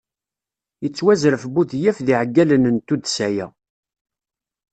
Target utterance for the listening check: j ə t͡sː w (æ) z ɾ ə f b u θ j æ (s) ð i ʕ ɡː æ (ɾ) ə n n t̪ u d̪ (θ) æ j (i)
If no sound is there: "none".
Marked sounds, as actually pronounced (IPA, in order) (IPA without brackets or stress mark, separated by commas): æ, f, l, s, æ